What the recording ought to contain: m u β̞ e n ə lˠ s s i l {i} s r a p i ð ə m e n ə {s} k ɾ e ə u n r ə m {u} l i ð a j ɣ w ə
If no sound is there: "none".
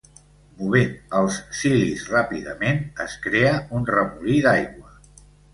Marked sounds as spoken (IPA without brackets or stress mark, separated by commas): i, s, u